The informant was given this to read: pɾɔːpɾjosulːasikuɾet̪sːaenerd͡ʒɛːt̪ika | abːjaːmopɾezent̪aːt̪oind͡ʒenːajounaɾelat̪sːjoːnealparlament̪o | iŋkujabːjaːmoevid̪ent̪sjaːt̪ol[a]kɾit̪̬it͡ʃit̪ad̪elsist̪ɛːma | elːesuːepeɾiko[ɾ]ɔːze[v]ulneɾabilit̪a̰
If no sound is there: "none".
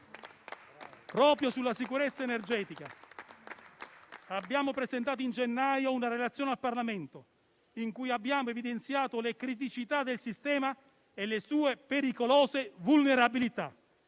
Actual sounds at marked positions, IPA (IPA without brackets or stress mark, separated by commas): e, l, v